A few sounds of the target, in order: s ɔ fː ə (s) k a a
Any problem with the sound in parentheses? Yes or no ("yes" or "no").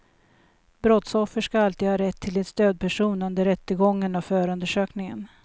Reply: yes